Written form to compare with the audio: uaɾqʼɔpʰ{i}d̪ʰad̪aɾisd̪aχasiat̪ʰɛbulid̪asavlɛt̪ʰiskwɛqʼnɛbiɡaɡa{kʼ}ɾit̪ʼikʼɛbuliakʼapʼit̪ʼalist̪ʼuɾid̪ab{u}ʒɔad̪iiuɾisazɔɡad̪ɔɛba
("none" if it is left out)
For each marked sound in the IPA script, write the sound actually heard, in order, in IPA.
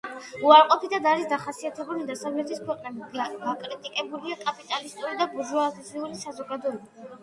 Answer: i, kʼ, u

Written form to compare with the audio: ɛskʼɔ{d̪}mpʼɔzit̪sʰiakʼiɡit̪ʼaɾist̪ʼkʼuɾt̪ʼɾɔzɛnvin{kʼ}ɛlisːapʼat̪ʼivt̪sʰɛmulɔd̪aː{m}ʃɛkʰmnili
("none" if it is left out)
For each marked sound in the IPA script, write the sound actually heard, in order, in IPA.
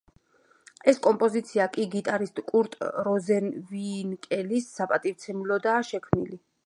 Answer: none, kʼ, none

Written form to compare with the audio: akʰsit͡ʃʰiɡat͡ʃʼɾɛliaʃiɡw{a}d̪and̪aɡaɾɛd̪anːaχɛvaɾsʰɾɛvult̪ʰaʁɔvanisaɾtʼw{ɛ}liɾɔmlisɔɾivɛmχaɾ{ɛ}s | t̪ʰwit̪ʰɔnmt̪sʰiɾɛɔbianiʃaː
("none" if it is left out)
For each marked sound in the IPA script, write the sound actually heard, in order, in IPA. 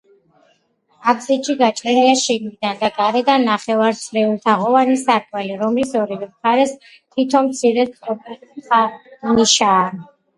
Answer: i, ɛ, ɛ

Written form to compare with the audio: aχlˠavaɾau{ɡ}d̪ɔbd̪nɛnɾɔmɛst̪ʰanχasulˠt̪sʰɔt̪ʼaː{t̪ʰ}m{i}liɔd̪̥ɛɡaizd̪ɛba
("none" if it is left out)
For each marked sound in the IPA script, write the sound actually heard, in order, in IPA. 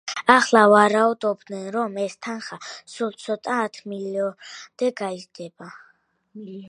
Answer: none, t̪ʰ, i

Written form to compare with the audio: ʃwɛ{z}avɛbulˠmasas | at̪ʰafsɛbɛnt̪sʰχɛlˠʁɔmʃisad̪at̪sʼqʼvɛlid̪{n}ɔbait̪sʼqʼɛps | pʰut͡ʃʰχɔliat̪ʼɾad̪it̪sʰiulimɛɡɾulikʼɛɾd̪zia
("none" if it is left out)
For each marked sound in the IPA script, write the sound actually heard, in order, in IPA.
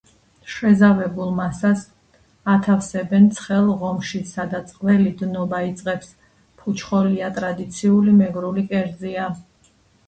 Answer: z, n

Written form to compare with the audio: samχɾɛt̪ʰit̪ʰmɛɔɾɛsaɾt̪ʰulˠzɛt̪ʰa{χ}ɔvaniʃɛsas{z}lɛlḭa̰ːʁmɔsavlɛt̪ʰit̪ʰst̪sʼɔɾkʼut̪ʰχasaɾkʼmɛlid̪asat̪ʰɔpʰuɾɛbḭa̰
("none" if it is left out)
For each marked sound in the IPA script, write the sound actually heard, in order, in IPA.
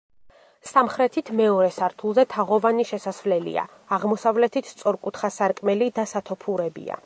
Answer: ʁ, v

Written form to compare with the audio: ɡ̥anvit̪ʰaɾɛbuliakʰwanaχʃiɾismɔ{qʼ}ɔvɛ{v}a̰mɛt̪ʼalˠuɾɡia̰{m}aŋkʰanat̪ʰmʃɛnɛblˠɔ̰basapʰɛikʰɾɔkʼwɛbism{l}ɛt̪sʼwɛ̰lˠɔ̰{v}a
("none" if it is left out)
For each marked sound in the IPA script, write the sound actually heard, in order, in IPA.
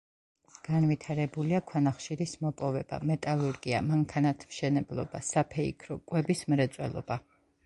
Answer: pʼ, b, m, ɾ, b

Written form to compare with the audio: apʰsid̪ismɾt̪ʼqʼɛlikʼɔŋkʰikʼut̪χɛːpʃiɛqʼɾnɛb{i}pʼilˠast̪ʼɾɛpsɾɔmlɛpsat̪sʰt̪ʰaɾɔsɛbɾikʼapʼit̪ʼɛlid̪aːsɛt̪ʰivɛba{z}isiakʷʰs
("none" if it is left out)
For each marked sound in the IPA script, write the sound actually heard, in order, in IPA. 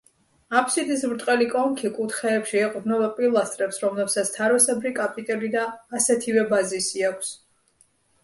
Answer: a, z

